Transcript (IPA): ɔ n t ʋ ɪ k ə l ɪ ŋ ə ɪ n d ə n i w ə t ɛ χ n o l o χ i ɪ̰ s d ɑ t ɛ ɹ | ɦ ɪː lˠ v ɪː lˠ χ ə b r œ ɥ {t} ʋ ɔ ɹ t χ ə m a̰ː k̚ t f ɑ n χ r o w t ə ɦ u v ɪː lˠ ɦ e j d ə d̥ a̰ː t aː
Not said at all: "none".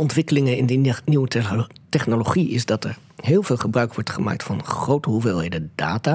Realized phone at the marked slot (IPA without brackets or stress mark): k